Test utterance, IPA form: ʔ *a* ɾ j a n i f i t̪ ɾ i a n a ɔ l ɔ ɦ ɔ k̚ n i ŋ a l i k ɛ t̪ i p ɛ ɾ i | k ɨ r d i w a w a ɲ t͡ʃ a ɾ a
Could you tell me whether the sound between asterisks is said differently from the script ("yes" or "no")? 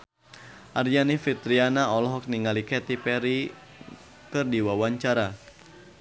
no